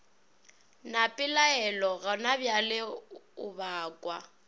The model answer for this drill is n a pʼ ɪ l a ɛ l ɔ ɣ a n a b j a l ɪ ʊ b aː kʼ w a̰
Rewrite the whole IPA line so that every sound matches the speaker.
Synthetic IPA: n a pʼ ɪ l a ɛ l ɔ ɣ a n a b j a l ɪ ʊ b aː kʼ w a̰

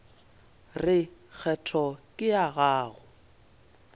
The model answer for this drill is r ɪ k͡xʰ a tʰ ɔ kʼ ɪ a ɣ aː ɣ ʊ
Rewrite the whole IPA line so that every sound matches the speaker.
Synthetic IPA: r ɪ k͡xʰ ɛ tʰ ɔ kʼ ɪ a ɣ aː ɣ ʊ

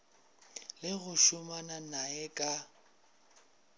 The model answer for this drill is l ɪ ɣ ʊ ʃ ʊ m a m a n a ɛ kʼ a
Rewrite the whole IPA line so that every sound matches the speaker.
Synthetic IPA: l ɪ ɣ ʊ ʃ ʊ m a n a n a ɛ kʼ a

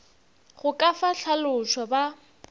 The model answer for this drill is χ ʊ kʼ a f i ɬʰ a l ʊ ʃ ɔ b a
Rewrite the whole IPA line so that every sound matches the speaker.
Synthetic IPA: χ ʊ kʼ a f a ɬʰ a l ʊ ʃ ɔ b a

